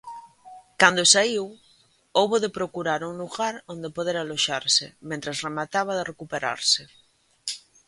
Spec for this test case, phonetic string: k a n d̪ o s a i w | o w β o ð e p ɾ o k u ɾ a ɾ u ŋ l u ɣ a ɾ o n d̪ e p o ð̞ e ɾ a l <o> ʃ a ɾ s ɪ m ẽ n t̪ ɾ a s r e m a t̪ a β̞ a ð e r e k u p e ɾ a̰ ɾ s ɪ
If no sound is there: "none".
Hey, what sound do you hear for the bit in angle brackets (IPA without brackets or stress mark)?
o